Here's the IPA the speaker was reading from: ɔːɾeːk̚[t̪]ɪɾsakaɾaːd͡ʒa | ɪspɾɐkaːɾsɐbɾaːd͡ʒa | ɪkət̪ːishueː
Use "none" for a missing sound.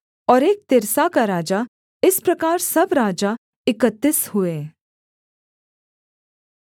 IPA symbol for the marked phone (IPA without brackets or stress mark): t̪